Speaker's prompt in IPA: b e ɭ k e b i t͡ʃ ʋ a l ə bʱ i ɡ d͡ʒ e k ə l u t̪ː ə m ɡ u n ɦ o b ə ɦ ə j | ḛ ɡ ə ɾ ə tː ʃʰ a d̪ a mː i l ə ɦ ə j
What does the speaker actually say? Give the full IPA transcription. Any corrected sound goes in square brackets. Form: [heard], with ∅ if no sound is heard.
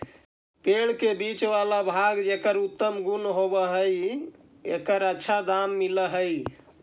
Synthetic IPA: [p] e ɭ k e b i t͡ʃ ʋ a l [a] bʱ [a] ɡ d͡ʒ e k ə [ɾ] u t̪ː ə m ɡ u n ɦ o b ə ɦ ə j | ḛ [k] ə ɾ ə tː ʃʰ a d̪ a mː i l ə ɦ ə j